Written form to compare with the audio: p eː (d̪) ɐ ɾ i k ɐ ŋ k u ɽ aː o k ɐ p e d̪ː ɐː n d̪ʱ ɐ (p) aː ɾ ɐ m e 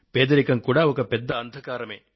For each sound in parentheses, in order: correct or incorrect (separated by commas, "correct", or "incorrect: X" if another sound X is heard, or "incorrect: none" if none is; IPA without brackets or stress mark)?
correct, incorrect: k